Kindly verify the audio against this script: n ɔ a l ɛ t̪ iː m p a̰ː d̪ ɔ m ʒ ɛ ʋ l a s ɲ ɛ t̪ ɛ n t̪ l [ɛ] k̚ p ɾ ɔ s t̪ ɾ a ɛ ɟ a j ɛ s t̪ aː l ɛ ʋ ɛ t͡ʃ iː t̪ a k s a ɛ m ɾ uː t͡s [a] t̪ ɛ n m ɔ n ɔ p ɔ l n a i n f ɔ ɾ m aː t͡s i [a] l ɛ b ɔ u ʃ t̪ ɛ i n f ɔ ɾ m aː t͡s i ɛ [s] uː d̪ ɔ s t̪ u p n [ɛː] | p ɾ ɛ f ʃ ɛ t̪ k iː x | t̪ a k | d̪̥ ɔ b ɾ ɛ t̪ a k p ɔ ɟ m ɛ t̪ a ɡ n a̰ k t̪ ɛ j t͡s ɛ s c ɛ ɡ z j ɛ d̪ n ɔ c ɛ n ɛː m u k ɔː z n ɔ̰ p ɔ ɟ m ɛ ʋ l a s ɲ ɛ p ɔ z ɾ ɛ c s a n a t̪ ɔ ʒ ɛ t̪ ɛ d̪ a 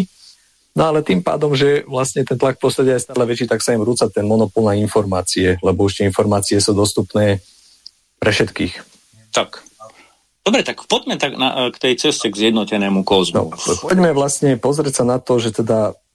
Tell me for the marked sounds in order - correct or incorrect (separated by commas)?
incorrect, correct, incorrect, correct, correct